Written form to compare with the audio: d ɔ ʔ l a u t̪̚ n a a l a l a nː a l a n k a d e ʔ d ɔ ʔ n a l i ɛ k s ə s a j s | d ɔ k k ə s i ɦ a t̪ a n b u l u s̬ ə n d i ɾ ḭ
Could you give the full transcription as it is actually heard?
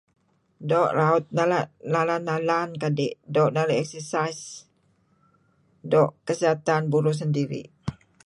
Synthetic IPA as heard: d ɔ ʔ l a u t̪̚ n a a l a l a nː a l a n k a d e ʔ d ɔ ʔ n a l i ɛ k s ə s a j s | d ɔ ʔ k ə s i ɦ a t̪ a n b u ɾ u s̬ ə n d i ɾ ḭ